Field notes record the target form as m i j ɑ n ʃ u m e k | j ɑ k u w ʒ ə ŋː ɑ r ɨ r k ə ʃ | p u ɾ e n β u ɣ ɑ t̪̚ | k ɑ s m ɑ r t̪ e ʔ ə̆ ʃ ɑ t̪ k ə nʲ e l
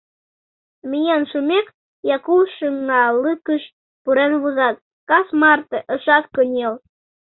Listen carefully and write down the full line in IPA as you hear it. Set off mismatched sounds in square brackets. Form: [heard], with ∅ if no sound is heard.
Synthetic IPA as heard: m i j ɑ n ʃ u m e k | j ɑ k u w [ʃ] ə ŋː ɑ [l] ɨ [∅] k ə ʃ | p u ɾ e n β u [z] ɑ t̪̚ | k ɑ s m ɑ r t̪ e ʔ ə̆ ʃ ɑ t̪ k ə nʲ e l

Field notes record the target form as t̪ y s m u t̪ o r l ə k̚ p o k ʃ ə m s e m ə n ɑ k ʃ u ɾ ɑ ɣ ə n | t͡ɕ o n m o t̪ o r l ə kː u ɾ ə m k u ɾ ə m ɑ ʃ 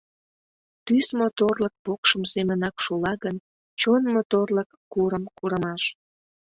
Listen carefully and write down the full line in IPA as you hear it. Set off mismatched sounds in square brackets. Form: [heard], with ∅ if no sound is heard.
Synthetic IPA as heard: t̪ y s m [o] t̪ o r l ə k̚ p o k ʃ ə m s e m ə n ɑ k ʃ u [l] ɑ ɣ ə n | t͡ɕ o n m o t̪ o r l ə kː u ɾ ə m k u ɾ ə m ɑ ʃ

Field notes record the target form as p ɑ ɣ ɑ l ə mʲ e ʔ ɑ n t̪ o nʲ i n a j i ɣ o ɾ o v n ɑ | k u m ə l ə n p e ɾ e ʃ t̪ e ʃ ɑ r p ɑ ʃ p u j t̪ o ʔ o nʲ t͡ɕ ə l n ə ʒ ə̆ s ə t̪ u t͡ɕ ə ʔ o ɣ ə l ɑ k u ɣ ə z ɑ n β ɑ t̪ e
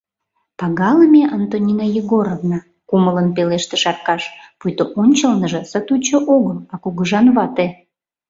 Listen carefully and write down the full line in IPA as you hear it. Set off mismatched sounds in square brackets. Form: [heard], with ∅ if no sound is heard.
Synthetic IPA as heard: p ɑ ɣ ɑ l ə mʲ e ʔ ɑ n t̪ o nʲ i n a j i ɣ o ɾ o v n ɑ | k u m ə l ə n p e [l] e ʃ t̪ e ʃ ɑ r [k] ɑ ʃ p u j t̪ o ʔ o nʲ t͡ɕ ə l n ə ʒ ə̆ s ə t̪ u t͡ɕ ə ʔ o ɣ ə l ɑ k u ɣ ə [ʒ] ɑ n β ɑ t̪ e

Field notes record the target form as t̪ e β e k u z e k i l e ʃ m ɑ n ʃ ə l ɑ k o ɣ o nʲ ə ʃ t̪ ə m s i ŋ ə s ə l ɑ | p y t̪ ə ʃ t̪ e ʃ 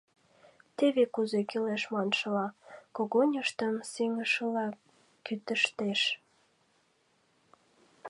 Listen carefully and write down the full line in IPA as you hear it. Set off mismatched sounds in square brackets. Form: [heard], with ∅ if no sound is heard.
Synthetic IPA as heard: t̪ e β e k u z e k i l e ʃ m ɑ n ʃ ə l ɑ k o ɣ o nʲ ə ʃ t̪ ə m s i ŋ ə [ʃ] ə l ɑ | [k] y t̪ ə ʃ t̪ e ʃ

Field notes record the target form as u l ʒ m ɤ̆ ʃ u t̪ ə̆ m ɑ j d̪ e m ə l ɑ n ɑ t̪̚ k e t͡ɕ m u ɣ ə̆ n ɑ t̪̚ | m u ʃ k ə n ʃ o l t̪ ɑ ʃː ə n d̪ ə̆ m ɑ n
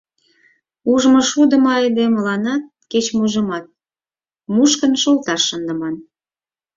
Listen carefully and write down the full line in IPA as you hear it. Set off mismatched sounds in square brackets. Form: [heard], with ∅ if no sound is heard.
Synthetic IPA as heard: u [∅] ʒ m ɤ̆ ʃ u [d̪] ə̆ m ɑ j d̪ e m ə l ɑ n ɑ t̪̚ k e t͡ɕ m u [ʒ] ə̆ [m] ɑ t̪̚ | m u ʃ k ə n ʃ o l t̪ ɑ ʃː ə n d̪ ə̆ m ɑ n

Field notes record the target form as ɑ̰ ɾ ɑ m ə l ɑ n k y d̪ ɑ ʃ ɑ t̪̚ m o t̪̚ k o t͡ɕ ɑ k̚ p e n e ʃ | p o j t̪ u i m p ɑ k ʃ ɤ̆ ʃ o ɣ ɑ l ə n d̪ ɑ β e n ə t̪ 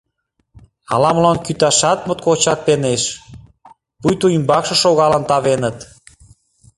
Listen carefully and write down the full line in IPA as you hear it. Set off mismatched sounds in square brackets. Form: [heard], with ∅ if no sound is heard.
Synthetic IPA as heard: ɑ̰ [l] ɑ m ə l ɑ n k y [t̪] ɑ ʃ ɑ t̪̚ m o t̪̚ k o t͡ɕ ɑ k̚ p e n e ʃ | p [u] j t̪ u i m [b] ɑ k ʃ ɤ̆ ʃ o ɣ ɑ l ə n [t̪] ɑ β e n ə t̪

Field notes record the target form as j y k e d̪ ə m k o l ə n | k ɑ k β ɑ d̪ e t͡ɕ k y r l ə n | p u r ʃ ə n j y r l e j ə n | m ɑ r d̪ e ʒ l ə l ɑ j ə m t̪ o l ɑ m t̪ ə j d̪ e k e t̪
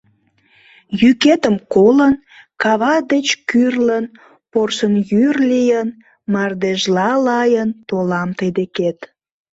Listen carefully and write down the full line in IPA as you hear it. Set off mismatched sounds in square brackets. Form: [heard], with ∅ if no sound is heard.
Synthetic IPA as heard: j y k e [t̪] ə m k o l ə n | k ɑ [∅] β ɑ d̪ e t͡ɕ k y r l ə n | p [o] r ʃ ə n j y r l [i] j ə n | m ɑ r d̪ e ʒ l [ɑ] l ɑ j ə [n] t̪ o l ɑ m t̪ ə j d̪ e k e t̪

